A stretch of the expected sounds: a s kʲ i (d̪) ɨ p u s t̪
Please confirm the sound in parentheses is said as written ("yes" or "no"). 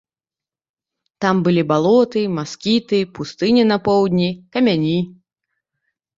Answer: no